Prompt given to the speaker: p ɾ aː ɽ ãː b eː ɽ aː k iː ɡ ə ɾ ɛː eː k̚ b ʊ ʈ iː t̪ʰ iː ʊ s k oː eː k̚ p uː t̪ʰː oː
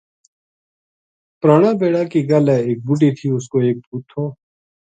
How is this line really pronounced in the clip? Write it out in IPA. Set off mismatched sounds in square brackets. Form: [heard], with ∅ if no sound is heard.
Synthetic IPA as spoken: p ɾ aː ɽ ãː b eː ɽ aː k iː ɡ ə [l] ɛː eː k̚ b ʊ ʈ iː t̪ʰ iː ʊ s k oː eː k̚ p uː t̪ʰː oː